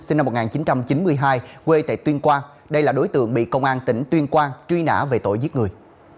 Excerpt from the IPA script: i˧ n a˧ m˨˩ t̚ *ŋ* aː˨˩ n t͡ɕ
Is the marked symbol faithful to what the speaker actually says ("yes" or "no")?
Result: yes